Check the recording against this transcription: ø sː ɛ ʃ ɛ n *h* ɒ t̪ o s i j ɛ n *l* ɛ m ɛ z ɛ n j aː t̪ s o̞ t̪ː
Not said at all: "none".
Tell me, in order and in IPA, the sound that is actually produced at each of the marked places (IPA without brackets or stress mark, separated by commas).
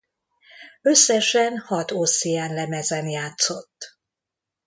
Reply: h, l